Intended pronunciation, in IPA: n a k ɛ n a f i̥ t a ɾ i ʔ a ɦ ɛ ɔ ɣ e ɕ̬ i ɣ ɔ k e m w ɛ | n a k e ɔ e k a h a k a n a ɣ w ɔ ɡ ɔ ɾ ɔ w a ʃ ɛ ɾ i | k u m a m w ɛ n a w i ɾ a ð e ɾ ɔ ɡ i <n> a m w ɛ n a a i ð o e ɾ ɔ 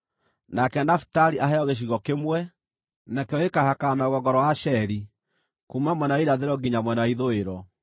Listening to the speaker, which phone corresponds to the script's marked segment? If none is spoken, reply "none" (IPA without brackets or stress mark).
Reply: ɲ